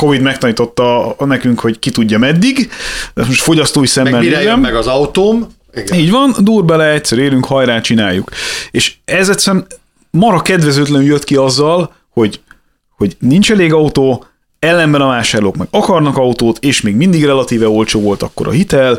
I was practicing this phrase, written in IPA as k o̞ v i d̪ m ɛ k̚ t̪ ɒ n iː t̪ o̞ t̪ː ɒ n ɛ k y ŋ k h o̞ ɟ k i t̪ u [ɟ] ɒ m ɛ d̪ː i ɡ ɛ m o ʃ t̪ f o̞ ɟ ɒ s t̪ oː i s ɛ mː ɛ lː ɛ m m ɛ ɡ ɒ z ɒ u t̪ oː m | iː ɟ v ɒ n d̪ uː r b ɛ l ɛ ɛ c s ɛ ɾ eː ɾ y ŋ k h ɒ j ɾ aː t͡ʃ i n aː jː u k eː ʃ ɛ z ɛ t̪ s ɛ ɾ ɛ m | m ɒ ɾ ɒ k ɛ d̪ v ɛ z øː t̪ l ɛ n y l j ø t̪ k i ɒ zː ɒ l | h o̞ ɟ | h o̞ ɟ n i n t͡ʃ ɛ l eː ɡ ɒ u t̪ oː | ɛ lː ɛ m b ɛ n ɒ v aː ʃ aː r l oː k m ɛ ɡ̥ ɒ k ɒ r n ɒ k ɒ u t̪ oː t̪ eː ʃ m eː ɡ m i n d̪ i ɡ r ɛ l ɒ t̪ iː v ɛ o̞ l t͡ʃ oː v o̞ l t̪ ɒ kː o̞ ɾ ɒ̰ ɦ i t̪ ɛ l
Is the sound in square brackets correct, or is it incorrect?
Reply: incorrect